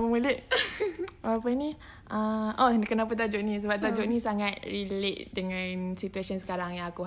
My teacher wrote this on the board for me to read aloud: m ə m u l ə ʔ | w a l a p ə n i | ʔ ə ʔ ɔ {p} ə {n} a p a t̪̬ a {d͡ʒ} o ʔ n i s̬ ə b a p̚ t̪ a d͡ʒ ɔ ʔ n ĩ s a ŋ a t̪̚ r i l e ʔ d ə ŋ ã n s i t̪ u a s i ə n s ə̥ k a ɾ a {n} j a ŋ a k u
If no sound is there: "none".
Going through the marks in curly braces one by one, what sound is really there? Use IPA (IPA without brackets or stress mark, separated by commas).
k, n, d͡ʒ, ŋ